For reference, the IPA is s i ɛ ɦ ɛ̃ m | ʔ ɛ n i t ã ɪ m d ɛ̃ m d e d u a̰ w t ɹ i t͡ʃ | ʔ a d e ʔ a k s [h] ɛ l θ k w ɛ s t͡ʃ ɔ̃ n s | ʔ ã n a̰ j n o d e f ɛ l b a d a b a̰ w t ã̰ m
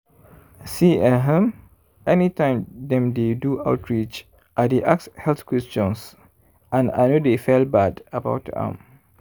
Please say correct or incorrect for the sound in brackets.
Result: correct